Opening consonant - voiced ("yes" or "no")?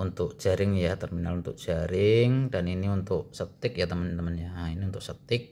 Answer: yes